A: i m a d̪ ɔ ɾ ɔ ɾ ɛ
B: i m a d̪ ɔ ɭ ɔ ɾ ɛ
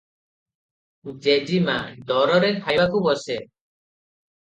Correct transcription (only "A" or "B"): A